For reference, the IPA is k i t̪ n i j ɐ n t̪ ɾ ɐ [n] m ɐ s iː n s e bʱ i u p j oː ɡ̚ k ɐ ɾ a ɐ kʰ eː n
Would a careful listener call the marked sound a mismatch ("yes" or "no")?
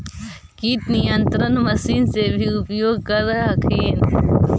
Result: no